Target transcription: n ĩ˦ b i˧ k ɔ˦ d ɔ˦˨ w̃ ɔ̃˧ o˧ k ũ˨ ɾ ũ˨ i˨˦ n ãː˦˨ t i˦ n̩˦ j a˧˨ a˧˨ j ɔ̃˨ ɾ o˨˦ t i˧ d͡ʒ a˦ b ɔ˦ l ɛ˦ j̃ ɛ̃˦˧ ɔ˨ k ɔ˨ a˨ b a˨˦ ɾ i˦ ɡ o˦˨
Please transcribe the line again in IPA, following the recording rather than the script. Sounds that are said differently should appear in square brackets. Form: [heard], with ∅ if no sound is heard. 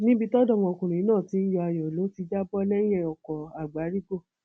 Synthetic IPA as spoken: n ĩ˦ b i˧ [t] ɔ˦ d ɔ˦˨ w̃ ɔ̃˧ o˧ k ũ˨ ɾ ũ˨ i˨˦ n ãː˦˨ t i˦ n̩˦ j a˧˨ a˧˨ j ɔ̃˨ [l] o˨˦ t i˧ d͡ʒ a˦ b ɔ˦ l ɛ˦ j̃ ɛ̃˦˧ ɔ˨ k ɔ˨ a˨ [ɡ͡b] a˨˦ ɾ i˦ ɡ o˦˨